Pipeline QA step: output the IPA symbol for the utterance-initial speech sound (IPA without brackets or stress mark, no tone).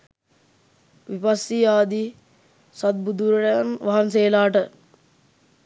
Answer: ʋ